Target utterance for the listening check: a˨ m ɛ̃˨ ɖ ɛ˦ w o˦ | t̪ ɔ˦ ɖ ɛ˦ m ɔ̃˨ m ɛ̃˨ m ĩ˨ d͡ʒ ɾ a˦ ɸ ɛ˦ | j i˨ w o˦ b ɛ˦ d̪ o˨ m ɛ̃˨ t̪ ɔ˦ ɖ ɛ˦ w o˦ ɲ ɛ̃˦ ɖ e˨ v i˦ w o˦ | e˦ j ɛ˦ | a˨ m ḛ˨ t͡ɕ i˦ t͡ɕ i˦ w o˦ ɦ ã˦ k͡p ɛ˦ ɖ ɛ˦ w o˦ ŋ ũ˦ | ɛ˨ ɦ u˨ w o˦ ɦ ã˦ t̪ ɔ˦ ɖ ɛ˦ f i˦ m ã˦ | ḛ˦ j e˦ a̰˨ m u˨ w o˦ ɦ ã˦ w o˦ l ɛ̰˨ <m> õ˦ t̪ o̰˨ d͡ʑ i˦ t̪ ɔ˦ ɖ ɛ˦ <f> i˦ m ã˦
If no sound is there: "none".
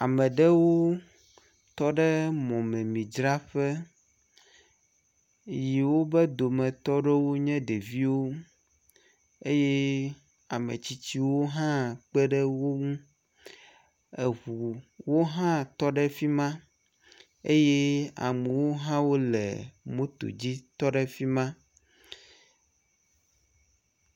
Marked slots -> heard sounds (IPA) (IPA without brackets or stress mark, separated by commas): m, f